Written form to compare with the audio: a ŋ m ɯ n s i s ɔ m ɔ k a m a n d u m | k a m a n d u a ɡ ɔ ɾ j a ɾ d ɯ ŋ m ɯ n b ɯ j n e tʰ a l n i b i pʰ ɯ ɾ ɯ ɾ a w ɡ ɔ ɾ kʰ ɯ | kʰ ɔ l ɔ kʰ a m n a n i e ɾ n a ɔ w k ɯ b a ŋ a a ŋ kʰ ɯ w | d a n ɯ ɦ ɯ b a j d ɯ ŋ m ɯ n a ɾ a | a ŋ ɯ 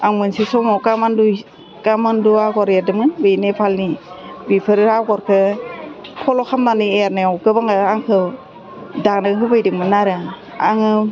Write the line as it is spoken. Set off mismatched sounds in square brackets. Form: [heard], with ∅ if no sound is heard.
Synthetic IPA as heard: a ŋ m ɯ n s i s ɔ m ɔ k a m a n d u [∅] | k a m a n d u a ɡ ɔ ɾ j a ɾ d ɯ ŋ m ɯ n b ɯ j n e [pʰ] a l n i b i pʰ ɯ ɾ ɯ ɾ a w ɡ ɔ ɾ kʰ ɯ | kʰ ɔ l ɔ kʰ a m n a n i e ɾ n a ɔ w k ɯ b a ŋ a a ŋ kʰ ɯ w | d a n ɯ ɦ ɯ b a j d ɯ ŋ m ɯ n a ɾ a | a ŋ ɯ